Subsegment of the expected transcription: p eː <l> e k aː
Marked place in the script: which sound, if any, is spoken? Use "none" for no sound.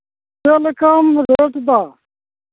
l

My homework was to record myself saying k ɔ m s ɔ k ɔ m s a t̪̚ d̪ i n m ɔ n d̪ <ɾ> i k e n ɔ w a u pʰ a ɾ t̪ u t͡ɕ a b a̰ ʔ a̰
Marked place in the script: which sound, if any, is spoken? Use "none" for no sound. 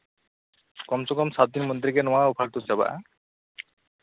ɾ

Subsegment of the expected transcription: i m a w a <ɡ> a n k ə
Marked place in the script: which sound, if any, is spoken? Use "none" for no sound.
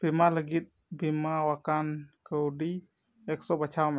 k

